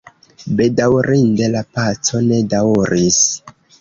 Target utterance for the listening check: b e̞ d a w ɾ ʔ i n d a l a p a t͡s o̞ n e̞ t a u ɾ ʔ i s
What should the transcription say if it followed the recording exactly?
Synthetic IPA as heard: b e̞ d a w ɾ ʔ i n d e l a p a t͡s o̞ n e̞ d a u ɾ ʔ i s